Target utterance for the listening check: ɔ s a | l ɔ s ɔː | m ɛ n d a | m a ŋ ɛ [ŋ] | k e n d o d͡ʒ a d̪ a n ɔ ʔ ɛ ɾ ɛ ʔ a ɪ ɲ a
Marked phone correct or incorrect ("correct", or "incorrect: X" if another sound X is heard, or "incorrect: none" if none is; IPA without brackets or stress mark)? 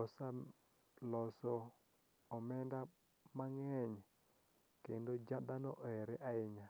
incorrect: ɲ